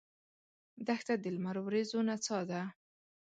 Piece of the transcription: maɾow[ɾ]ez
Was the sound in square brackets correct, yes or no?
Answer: yes